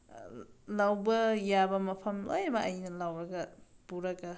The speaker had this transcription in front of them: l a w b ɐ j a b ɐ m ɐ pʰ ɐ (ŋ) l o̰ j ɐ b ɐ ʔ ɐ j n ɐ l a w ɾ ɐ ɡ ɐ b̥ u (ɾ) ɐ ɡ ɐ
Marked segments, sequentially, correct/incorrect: incorrect, correct

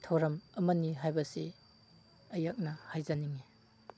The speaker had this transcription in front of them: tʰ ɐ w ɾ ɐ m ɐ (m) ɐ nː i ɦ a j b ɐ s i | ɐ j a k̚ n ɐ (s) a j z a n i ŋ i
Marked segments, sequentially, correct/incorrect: correct, incorrect

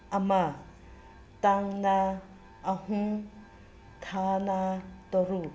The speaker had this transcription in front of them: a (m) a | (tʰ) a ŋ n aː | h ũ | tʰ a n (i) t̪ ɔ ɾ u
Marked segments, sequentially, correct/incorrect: correct, incorrect, incorrect

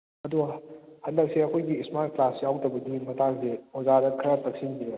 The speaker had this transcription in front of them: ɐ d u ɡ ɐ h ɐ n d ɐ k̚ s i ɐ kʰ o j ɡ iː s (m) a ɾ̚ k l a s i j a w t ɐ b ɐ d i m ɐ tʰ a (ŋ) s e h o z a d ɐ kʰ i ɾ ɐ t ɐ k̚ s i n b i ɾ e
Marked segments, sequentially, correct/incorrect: correct, correct

